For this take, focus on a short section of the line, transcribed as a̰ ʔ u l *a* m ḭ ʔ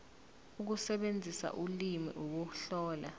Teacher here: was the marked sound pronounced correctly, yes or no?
no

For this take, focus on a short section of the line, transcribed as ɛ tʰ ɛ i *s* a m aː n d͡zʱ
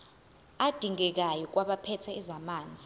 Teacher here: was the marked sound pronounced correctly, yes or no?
no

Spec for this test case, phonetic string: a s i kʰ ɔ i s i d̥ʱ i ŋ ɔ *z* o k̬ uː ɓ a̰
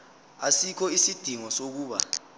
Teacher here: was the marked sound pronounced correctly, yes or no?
no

